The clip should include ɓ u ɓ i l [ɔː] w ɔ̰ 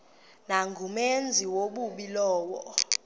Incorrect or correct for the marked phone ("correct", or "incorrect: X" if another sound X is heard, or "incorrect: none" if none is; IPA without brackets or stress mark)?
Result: correct